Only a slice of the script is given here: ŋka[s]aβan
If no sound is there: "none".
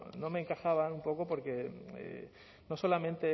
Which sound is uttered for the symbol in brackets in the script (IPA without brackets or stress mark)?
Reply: x